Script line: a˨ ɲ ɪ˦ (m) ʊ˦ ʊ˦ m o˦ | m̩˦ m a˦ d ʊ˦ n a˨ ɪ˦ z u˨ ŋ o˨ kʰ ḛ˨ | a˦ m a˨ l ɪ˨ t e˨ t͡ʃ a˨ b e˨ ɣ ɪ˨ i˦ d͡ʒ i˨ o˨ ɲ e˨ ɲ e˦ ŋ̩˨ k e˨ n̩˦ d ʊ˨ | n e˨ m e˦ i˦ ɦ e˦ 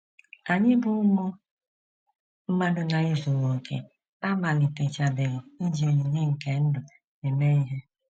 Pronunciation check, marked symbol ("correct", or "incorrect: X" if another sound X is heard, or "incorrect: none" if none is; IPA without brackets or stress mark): incorrect: b